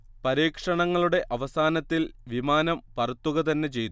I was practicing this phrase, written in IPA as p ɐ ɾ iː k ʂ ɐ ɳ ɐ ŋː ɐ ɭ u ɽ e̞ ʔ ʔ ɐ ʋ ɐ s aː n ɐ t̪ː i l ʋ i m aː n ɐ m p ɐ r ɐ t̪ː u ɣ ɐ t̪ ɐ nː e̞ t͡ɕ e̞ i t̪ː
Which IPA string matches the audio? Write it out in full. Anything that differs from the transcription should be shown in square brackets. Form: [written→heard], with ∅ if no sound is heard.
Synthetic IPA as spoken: p ɐ ɾ iː k ʂ ɐ ɳ ɐ ŋː ɐ ɭ u ɽ e̞ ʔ ʔ ɐ ʋ ɐ s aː n ɐ t̪ː i l ʋ i m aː n ɐ m p ɐ r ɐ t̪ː u ɣ ɐ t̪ ɐ nː e̞ t͡ɕ e̞ [i→j] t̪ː

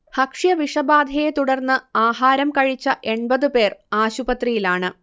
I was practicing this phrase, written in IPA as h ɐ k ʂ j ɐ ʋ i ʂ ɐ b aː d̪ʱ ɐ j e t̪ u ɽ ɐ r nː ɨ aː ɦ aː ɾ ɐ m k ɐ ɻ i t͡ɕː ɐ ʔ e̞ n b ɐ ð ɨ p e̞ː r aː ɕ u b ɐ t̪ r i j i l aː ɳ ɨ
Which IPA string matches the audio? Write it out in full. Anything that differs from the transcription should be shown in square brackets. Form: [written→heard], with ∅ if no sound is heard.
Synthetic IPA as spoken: h ɐ k ʂ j ɐ ʋ i ʂ ɐ b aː d̪ʱ ɐ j e t̪ u ɽ ɐ r nː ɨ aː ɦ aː ɾ ɐ m k ɐ ɻ i t͡ɕː ɐ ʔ e̞ [n→ɳ] b ɐ ð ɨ p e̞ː r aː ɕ u b ɐ t̪ r i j i l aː ɳ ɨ

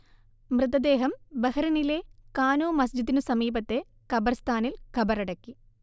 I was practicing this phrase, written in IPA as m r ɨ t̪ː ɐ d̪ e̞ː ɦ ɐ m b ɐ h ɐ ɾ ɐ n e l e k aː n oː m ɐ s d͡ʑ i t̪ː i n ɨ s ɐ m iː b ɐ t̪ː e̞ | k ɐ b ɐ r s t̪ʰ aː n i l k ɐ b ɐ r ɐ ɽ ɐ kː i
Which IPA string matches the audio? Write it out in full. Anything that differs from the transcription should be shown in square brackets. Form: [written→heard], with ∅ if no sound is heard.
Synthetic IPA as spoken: m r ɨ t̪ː ɐ d̪ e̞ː ɦ ɐ m b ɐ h ɐ ɾ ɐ n [e→i] l e k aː n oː m ɐ s d͡ʑ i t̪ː i n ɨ s ɐ m iː b ɐ t̪ː e̞ | k ɐ b ɐ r s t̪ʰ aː n i l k ɐ b ɐ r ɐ ɽ ɐ kː i

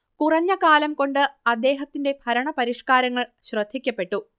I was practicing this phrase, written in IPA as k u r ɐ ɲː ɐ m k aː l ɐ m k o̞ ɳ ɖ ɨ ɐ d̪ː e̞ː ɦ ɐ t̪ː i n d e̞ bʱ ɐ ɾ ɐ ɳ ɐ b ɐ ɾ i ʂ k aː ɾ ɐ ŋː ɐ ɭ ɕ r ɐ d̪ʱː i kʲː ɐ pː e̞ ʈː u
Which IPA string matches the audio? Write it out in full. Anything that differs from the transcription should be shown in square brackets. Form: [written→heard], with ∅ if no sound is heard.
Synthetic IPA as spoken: k u r ɐ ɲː ɐ [m→∅] k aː l ɐ m k o̞ ɳ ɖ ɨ ɐ d̪ː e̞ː ɦ ɐ t̪ː i n d e̞ bʱ ɐ ɾ ɐ ɳ ɐ [b→p] ɐ ɾ i ʂ k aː ɾ ɐ ŋː ɐ ɭ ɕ r ɐ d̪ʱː i kʲː ɐ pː e̞ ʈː u

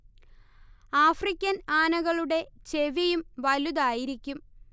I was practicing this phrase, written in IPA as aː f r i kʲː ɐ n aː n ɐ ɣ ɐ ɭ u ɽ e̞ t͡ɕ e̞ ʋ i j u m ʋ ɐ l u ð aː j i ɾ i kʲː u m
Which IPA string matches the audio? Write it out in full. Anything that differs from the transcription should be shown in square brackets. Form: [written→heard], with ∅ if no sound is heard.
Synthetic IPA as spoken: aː f r i kʲː ɐ n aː n ɐ ɣ ɐ ɭ u ɽ e̞ t͡ɕ e̞ ʋ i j u m ʋ ɐ l u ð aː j i ɾ i kʲː u m

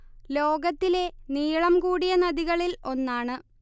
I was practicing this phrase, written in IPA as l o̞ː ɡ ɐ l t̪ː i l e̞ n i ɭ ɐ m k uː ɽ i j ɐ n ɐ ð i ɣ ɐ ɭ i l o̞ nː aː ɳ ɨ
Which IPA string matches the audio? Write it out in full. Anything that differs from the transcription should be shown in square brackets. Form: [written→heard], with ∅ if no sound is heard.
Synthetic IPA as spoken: l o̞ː ɡ ɐ [l→∅] t̪ː i l e̞ n [i→iː] ɭ ɐ m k uː ɽ i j ɐ n ɐ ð i ɣ ɐ ɭ i l o̞ nː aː ɳ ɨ

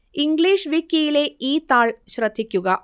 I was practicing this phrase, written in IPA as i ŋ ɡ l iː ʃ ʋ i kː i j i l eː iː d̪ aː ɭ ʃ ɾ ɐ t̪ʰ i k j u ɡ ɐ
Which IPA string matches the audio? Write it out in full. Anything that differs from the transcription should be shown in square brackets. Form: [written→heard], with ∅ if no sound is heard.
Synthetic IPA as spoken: i ŋ ɡ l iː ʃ ʋ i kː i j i l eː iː [d̪→t̪] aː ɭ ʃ ɾ ɐ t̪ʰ i k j u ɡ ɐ

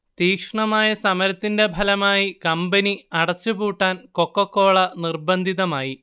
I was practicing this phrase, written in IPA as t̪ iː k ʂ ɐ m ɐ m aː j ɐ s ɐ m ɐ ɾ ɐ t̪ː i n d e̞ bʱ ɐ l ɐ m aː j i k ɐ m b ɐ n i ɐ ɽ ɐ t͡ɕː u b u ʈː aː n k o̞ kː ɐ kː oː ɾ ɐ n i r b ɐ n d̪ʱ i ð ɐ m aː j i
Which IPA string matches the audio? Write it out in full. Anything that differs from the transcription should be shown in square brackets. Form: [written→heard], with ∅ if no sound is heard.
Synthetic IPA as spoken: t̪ iː k ʂ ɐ [m→ɳ] ɐ m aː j ɐ s ɐ m ɐ ɾ ɐ t̪ː i n d e̞ bʱ ɐ l ɐ m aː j i k ɐ m b ɐ n i ɐ ɽ ɐ t͡ɕː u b [u→uː] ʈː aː n k o̞ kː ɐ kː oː [ɾ→ɭ] ɐ n i r b ɐ n d̪ʱ i ð ɐ m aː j i

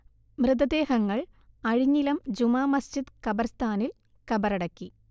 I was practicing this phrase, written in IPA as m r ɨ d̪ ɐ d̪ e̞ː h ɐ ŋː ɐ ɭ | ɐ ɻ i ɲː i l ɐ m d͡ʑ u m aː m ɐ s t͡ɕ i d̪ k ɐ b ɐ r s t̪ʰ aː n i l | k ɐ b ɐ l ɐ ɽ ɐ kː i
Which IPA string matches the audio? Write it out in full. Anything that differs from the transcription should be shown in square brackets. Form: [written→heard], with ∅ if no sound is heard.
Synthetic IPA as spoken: m r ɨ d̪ ɐ d̪ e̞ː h ɐ ŋː ɐ ɭ | ɐ ɻ i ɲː i l ɐ m d͡ʑ u m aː m ɐ s t͡ɕ i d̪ k ɐ b ɐ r s t̪ʰ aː n i l | k ɐ b ɐ [l→ɾ] ɐ ɽ ɐ kː i

